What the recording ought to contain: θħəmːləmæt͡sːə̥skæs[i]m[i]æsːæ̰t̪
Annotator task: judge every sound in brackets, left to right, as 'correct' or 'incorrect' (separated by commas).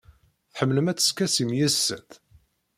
correct, incorrect